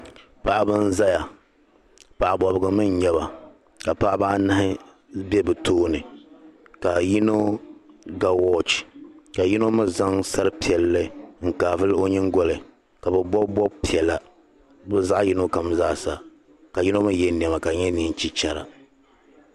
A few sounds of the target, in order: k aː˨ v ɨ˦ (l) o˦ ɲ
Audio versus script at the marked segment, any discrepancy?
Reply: no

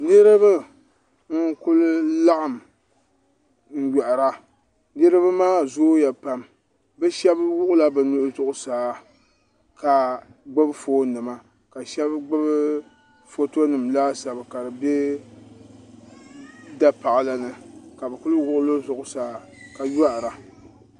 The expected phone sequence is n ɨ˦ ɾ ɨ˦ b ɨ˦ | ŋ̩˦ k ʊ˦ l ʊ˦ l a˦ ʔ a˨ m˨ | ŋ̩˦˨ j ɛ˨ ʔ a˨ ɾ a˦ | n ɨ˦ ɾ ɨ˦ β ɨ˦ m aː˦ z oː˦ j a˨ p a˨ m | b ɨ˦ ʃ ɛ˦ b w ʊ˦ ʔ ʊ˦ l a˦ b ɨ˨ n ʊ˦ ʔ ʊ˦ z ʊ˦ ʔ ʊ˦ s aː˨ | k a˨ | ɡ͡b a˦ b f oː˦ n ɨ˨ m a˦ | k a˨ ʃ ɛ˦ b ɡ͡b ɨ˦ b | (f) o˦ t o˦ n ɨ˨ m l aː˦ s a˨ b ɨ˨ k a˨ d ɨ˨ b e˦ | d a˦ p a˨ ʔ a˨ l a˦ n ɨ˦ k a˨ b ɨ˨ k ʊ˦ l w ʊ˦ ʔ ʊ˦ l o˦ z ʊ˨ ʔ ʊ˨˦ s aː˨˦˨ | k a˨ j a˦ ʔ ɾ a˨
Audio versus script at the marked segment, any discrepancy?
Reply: no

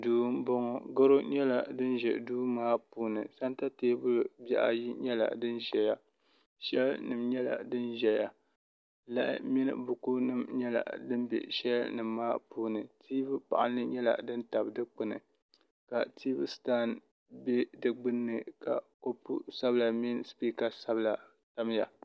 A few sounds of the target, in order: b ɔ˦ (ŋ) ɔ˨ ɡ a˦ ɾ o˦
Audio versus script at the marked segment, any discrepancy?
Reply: no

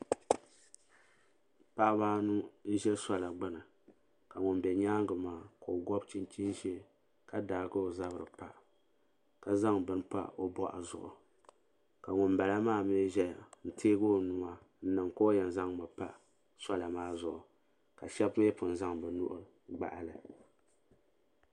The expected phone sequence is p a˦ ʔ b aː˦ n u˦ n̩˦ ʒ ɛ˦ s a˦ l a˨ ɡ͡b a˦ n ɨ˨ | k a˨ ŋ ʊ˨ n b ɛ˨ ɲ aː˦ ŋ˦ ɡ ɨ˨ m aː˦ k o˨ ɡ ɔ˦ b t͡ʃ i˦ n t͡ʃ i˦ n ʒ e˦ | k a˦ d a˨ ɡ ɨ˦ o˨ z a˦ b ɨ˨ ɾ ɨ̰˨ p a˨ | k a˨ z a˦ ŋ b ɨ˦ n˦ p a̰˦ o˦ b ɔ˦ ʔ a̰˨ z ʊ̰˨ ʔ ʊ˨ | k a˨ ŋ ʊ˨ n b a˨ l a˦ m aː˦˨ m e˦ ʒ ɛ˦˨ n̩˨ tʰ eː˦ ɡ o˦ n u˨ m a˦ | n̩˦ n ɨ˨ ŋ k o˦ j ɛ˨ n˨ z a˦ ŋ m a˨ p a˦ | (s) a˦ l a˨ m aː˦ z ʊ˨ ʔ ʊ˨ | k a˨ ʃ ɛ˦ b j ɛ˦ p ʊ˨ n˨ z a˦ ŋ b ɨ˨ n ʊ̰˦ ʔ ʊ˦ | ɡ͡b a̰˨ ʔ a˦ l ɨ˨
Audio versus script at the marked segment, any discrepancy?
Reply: no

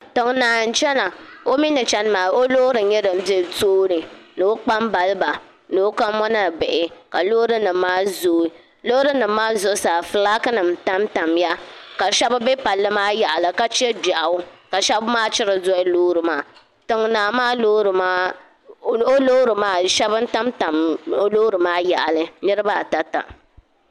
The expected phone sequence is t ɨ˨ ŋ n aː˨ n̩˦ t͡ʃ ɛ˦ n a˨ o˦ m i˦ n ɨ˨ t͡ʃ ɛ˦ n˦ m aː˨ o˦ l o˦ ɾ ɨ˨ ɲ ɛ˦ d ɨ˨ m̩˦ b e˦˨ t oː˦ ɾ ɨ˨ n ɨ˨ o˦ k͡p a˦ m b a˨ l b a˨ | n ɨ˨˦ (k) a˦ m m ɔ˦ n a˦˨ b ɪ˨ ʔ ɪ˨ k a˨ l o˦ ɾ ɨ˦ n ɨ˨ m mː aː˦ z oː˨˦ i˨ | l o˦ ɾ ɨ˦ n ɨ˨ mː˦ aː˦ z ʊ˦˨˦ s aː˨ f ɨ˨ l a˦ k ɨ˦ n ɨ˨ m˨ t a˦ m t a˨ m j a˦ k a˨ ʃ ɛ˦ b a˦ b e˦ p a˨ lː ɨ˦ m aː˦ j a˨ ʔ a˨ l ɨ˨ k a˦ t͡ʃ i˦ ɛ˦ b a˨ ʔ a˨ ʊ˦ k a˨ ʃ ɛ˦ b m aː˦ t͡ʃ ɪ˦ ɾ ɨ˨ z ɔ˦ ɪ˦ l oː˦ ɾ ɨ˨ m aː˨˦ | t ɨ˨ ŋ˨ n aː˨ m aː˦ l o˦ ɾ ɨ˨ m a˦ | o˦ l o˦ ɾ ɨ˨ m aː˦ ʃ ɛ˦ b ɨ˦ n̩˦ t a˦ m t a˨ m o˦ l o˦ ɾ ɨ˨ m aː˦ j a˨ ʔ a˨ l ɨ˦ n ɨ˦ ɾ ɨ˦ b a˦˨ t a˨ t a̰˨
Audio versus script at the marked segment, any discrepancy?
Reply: no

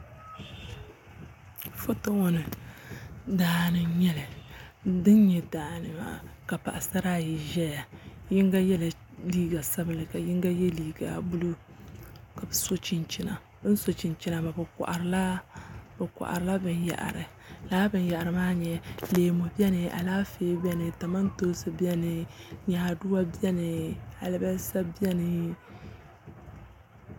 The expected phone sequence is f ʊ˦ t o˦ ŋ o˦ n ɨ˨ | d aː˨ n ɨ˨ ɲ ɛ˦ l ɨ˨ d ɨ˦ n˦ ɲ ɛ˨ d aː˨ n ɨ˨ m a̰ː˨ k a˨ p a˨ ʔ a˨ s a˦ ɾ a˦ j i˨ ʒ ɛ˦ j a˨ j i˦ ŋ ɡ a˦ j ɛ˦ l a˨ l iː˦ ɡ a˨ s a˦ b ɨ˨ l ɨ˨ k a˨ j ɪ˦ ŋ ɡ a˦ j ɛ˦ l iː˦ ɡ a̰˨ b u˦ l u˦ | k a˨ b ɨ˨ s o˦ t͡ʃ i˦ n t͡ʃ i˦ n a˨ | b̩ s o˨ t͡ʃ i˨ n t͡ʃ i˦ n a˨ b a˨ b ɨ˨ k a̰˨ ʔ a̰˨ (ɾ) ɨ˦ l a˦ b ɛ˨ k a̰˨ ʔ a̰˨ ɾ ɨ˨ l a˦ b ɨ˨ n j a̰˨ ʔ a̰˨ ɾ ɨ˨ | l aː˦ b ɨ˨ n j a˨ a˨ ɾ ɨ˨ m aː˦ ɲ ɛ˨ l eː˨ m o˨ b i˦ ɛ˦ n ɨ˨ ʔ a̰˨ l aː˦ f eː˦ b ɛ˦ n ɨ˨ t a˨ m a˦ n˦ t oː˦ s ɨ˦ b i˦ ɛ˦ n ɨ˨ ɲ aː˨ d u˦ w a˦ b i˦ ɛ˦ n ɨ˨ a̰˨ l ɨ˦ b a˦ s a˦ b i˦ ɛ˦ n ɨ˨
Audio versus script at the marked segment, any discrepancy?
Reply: no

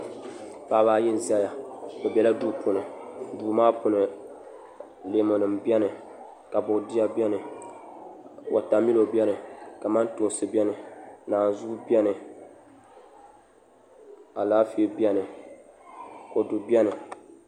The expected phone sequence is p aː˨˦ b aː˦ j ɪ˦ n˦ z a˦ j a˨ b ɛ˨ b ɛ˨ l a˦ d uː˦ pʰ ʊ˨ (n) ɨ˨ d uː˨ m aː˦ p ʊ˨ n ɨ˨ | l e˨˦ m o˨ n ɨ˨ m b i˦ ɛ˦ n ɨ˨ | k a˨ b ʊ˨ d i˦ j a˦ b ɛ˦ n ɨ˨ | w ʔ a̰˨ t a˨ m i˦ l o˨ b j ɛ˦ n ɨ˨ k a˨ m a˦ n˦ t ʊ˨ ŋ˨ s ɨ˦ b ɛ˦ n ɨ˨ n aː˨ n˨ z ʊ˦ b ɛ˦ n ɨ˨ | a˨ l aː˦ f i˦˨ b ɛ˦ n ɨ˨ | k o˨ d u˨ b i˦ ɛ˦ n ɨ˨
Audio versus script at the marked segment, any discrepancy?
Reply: no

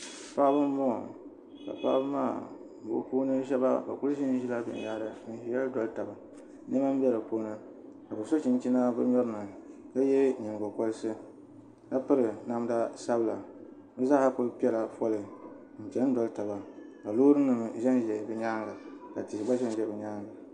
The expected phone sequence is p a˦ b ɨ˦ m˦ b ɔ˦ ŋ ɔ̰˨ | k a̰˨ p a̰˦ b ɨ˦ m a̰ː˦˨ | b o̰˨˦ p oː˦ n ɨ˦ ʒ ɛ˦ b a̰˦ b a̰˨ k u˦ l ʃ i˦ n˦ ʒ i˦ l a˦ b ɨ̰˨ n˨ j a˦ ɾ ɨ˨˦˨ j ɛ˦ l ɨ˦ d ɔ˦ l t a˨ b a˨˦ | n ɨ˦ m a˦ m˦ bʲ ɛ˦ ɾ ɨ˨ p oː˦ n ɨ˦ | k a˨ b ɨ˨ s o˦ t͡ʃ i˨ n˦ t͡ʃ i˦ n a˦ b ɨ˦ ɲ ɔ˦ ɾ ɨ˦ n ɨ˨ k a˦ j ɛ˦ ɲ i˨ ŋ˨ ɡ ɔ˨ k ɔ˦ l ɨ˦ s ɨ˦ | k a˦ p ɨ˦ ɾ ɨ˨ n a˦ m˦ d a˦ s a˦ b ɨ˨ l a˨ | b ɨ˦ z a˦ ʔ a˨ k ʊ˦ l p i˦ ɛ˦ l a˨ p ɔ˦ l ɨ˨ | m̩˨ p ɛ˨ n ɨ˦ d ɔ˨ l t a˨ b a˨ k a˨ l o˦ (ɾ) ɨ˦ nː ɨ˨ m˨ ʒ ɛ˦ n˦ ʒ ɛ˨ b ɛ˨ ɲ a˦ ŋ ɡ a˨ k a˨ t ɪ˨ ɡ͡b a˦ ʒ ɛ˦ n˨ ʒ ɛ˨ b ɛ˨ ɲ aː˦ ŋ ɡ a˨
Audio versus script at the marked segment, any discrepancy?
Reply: no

